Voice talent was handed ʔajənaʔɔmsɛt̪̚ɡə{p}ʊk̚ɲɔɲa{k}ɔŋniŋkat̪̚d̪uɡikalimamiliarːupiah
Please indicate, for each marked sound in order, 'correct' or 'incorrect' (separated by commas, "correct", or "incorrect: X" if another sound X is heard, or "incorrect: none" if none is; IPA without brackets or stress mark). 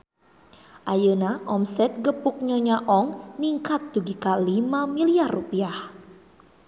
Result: correct, incorrect: ʔ